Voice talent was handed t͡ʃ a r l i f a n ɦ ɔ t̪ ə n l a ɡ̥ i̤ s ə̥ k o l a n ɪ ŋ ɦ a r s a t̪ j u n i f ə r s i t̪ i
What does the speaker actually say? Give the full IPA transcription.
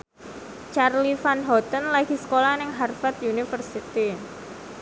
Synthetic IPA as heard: t͡ʃ a r l i f a n ɦ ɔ t̪ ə n l a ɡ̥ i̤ s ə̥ k o l a n ɪ ŋ ɦ a r f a t̪ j u n i f ə r s i t̪ i